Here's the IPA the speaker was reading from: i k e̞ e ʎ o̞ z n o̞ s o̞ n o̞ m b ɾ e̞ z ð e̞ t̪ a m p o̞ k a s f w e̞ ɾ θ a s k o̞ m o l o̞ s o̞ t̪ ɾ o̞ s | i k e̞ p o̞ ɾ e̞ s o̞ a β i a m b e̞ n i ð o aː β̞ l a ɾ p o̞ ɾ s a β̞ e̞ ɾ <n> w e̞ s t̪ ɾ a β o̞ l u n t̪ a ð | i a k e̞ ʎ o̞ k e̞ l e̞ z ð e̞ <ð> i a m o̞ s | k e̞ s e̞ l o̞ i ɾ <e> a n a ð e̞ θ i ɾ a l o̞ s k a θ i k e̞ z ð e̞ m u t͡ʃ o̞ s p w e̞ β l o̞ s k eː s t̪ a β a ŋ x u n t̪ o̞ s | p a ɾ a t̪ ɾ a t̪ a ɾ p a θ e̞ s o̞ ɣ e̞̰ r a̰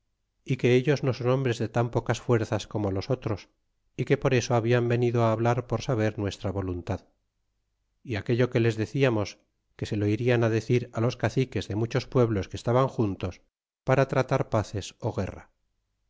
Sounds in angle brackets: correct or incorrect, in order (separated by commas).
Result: correct, incorrect, incorrect